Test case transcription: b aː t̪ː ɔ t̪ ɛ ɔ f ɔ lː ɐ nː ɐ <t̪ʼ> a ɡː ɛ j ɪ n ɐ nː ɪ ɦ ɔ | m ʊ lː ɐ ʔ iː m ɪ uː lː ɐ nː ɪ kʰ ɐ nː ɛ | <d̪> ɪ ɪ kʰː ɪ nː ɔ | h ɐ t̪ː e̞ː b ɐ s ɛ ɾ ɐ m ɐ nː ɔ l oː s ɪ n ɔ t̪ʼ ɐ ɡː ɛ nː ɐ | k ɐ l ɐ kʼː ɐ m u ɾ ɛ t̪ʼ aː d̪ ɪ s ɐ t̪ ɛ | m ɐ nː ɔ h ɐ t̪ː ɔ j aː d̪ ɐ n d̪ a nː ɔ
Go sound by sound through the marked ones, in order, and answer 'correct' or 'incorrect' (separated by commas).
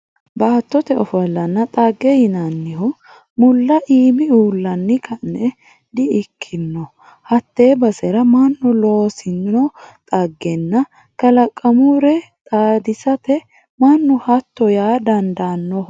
correct, correct